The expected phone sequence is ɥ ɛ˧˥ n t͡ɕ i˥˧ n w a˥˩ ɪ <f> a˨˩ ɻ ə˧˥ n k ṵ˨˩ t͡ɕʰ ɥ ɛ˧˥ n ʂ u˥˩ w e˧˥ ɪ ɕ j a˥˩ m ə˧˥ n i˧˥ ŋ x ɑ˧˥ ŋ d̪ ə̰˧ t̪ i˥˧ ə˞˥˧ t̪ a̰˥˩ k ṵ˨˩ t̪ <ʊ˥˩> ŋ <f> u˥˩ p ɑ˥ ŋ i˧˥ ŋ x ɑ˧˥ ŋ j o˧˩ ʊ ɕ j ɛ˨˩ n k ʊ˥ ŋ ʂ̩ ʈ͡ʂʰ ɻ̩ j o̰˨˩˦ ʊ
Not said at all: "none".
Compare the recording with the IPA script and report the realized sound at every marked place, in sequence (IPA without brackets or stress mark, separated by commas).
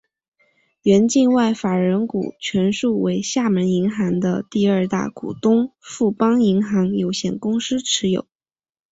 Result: f, ʊ˥, f